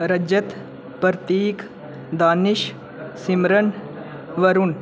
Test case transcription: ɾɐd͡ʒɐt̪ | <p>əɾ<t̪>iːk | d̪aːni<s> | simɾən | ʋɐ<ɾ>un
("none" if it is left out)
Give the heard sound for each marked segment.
p, t̪, ʃ, ɾ

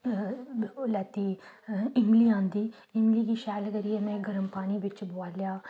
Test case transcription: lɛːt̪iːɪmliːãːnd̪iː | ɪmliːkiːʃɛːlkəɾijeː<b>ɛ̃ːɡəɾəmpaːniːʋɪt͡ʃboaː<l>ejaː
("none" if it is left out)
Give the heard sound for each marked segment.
m, l

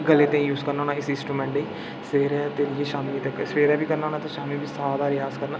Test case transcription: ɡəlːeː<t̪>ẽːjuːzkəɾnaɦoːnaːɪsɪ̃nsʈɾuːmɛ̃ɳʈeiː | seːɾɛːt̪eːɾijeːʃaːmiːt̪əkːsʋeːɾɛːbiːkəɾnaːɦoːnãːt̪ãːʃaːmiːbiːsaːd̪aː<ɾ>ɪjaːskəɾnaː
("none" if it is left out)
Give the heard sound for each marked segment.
t̪, ɾ

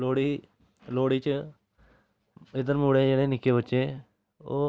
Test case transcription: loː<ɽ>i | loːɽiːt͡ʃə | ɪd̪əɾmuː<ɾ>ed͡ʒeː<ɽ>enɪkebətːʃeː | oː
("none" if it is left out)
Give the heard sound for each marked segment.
ɽ, ɽ, ɽ

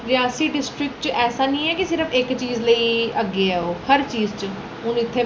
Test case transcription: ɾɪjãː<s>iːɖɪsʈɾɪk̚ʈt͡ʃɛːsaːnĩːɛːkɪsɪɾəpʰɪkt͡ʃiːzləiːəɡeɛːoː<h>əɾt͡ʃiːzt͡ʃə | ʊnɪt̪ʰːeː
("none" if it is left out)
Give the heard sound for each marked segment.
s, h

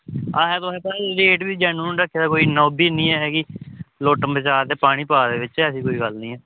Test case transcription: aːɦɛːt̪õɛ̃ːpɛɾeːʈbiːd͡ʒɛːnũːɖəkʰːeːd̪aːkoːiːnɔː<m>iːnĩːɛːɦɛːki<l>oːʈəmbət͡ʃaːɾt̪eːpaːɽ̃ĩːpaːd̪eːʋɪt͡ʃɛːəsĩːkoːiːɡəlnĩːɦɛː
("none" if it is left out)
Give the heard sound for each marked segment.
b, l

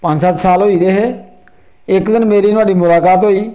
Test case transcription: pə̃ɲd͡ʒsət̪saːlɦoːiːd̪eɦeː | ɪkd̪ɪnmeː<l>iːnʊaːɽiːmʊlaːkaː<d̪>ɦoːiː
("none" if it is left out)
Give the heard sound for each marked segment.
ɾ, t̪

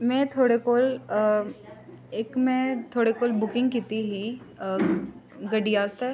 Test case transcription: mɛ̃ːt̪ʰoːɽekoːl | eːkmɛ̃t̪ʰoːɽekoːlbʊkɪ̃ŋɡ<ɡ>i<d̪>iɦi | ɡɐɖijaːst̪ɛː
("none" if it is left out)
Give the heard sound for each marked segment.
k, t̪

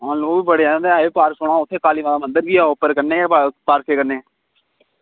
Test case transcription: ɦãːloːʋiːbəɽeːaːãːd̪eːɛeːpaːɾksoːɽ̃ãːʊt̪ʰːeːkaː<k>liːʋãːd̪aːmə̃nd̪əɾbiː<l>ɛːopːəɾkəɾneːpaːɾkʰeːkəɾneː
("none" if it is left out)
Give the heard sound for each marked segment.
none, none

